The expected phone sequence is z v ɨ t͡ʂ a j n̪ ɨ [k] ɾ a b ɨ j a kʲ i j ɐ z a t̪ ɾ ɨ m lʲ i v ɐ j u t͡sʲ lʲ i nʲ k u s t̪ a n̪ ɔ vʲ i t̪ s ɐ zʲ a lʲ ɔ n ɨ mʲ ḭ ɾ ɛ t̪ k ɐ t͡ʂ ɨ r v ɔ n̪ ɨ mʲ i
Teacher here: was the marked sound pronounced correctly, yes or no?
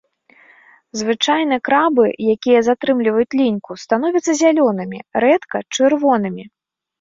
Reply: yes